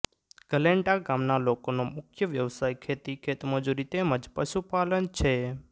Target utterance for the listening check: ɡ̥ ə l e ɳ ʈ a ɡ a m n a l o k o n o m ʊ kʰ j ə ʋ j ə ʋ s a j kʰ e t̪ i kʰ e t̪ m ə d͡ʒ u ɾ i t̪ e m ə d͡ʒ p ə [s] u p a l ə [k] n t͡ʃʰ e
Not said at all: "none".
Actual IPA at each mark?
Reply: ʃ, none

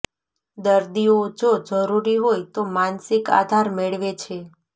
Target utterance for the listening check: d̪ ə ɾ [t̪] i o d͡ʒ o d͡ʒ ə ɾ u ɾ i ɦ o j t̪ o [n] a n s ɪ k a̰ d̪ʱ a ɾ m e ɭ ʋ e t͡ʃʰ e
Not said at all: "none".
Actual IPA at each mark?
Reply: d̪, m

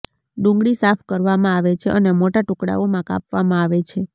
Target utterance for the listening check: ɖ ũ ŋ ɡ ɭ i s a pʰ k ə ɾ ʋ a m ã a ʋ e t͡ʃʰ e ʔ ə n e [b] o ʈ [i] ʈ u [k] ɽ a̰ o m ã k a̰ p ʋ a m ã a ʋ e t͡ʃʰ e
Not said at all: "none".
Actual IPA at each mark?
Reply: m, a, k

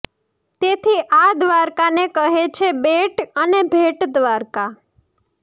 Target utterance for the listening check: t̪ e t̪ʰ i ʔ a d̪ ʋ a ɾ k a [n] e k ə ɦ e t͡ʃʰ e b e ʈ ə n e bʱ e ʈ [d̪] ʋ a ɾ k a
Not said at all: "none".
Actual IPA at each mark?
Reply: n, d̪

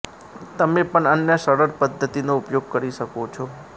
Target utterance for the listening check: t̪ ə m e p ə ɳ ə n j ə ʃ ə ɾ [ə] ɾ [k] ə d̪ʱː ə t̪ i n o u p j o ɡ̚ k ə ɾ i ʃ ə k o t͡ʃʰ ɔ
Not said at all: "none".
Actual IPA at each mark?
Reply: ə, p

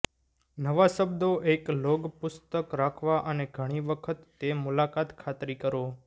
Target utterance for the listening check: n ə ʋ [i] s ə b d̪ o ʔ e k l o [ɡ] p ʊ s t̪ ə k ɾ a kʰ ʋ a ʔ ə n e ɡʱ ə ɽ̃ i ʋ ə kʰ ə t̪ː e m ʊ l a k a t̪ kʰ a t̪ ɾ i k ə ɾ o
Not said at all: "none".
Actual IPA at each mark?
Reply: a, ɡ

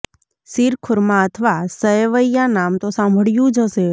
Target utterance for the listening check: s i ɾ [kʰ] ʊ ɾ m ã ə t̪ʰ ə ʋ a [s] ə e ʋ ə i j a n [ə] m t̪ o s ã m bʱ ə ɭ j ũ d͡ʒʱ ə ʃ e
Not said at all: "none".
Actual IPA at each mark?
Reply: kʰ, s, a

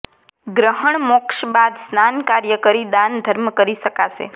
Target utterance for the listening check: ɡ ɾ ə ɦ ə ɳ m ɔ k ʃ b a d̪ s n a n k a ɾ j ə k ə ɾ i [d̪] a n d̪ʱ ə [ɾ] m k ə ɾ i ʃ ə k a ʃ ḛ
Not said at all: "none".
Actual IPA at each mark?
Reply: d̪, ɾ

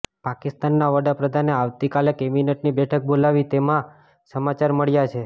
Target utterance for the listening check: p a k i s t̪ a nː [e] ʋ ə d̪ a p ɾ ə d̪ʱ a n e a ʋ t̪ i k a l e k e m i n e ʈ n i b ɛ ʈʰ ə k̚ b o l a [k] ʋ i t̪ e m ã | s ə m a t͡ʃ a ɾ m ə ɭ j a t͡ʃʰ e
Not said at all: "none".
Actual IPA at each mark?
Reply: a, none

